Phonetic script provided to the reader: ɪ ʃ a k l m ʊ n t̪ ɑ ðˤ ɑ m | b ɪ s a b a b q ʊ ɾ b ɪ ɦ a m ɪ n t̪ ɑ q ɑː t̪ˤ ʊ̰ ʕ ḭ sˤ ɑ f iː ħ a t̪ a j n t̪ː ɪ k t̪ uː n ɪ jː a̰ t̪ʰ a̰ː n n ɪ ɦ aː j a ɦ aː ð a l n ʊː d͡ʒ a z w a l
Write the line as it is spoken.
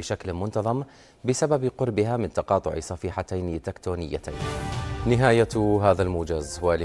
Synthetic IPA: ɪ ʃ a k l m ʊ n t̪ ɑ ðˤ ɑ m | b ɪ s a b a b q ʊ ɾ b ɪ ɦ a m ɪ n t̪ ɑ q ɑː t̪ˤ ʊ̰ ʕ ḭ sˤ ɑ f iː ħ a t̪ a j n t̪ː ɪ k t̪ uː n ɪ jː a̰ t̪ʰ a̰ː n n ɪ ɦ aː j a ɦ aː ð a l m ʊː d͡ʒ a z w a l